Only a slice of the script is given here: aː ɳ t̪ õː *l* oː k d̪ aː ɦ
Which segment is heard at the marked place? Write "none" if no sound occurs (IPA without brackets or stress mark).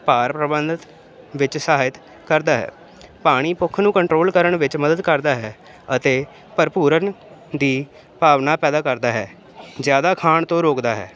ɾ